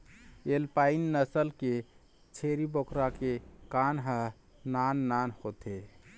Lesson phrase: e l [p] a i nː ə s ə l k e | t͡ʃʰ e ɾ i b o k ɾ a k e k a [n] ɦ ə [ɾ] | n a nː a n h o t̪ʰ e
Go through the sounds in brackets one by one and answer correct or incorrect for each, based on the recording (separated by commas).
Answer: correct, correct, incorrect